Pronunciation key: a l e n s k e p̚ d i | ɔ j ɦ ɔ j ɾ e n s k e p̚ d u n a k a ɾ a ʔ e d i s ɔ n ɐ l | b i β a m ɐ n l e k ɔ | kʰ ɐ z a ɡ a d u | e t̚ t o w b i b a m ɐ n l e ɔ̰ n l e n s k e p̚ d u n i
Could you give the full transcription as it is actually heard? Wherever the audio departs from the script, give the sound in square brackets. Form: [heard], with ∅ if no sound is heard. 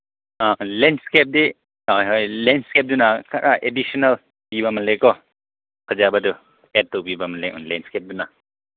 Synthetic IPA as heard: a l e n s k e p̚ d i | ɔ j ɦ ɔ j [l] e n s k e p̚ d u n a k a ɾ a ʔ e d i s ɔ n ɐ l | b i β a m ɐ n l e k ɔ | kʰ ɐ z a [b] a d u | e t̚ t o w b i b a m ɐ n l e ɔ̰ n l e n s k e p̚ d u n [a]